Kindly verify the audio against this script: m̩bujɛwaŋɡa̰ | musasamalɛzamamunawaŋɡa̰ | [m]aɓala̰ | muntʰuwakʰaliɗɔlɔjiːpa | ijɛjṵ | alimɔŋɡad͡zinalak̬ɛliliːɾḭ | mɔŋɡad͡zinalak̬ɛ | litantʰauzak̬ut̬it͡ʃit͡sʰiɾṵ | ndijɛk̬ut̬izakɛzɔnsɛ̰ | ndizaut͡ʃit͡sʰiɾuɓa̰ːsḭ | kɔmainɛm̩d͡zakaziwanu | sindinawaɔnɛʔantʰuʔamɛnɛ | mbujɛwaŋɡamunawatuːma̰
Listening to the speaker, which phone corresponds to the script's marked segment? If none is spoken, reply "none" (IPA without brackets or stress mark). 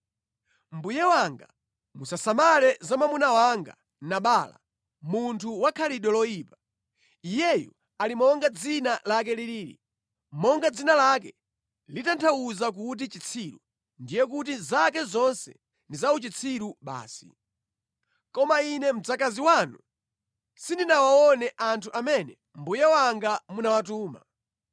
n